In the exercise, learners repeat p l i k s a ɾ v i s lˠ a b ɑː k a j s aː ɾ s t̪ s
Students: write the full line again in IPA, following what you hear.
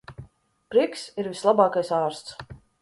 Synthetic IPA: p ɾ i k s i ɾ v i s lˠ a b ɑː k a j s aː ɾ s t̪ s